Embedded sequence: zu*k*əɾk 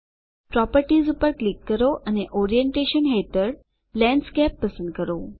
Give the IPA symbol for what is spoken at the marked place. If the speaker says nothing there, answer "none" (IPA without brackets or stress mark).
p